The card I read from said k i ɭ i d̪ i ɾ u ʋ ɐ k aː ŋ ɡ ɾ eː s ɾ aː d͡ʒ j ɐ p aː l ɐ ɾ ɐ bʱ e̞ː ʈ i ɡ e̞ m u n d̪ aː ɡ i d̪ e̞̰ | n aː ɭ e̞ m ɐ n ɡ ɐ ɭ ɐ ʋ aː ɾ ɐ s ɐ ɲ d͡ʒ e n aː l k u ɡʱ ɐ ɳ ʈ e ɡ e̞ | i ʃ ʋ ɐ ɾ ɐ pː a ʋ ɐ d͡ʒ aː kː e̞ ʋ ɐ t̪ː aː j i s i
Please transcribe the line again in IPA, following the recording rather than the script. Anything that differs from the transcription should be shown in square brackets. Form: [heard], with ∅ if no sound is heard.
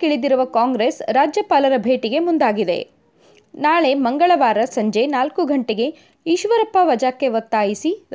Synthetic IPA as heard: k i ɭ i d̪ i ɾ u ʋ ɐ k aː ŋ ɡ ɾ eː s ɾ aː d͡ʒ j ɐ p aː l ɐ ɾ ɐ bʱ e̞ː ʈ i ɡ e̞ m u n d̪ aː ɡ i d̪ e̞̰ | n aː ɭ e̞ m ɐ [ŋ] ɡ ɐ ɭ ɐ ʋ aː ɾ ɐ s ɐ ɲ d͡ʒ e n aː l k u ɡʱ ɐ ɳ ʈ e ɡ e̞ | i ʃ ʋ ɐ ɾ ɐ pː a ʋ ɐ d͡ʒ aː kː e̞ ʋ ɐ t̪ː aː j i s i